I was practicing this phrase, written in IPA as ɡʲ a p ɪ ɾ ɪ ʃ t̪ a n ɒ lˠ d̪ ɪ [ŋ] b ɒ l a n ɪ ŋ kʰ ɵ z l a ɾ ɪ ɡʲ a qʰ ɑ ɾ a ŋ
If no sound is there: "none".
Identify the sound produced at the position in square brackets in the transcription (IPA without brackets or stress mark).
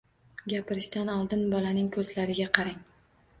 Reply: n